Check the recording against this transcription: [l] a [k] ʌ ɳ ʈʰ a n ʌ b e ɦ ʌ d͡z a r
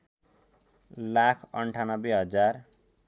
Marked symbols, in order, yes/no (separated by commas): yes, no